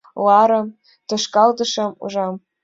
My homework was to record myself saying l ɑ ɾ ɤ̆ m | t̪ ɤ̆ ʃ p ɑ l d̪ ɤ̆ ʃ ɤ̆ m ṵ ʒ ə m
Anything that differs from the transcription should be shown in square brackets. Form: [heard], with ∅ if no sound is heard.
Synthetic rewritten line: l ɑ ɾ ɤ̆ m | t̪ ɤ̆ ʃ [k] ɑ l d̪ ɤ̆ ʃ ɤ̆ m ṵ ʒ [ɑ] m